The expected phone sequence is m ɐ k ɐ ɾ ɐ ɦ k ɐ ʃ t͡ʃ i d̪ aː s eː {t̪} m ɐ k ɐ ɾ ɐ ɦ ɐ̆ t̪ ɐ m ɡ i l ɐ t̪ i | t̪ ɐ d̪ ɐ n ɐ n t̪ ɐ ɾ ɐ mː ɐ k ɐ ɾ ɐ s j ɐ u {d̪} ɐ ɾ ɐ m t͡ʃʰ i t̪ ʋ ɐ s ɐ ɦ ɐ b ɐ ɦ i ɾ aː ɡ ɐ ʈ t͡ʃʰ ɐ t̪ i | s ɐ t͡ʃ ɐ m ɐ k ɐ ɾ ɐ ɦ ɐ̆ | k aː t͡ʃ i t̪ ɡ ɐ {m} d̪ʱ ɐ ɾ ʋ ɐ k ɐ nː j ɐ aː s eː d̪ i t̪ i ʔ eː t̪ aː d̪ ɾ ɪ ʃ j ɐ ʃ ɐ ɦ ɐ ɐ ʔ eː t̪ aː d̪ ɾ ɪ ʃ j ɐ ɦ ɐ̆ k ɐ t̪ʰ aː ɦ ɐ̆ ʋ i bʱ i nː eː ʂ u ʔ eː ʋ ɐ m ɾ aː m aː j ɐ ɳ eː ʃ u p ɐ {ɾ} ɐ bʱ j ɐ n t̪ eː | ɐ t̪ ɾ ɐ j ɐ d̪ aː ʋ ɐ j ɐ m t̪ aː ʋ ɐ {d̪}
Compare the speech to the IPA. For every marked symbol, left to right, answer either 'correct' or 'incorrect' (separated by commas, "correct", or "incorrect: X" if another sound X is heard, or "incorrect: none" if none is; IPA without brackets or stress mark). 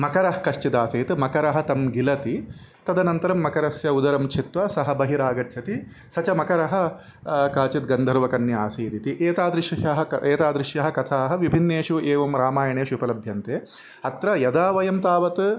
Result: correct, correct, incorrect: n, incorrect: l, incorrect: t̪